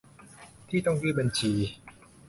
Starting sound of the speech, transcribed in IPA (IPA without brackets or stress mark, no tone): t̪ʰ